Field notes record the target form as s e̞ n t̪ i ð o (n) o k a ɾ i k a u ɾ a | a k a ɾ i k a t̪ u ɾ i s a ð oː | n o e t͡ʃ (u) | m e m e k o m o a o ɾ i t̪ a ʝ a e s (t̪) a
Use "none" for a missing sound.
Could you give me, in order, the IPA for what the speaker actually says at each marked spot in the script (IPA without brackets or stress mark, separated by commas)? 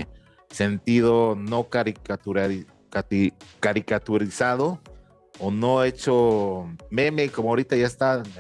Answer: n, o, t̪